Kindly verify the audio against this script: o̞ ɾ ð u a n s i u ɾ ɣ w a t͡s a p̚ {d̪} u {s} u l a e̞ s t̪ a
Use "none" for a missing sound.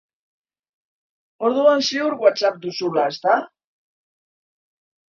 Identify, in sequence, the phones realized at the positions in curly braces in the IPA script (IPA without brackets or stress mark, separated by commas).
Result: d̪, s